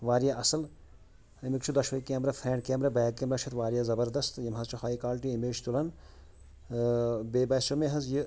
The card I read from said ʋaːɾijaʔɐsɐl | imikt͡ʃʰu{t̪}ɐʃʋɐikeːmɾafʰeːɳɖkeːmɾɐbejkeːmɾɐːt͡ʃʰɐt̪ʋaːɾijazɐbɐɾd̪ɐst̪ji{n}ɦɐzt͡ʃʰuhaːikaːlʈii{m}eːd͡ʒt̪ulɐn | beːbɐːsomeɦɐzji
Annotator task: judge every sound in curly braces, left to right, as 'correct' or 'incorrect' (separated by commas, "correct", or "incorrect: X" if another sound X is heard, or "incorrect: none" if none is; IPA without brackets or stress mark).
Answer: incorrect: d̪, incorrect: m, correct